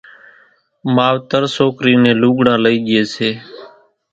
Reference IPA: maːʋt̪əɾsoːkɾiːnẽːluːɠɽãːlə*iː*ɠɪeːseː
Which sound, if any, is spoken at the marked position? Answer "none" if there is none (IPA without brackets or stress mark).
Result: iː